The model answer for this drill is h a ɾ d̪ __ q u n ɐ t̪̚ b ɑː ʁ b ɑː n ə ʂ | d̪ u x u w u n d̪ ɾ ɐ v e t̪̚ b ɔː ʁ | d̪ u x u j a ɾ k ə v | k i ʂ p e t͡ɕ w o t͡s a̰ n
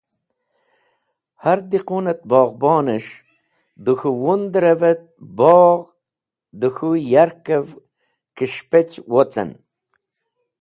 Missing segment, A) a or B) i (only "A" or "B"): B